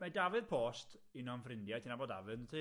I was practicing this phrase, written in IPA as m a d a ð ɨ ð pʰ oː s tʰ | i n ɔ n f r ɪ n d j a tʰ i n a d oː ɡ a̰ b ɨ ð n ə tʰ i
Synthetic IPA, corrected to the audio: m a d a v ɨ ð pʰ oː s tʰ | i n ɔ n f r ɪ n d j a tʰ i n a b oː d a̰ v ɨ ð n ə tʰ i